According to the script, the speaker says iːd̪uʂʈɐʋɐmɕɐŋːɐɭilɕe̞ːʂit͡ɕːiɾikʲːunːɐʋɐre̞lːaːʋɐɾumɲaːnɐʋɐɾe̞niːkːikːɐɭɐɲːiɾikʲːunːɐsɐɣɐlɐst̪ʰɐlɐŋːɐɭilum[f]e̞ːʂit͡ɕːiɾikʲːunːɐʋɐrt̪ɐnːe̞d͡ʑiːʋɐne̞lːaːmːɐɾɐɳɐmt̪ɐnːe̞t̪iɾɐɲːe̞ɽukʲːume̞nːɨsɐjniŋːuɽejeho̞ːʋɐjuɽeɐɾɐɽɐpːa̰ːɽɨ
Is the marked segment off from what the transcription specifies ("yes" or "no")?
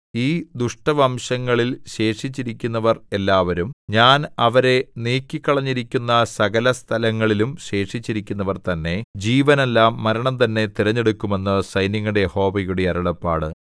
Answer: yes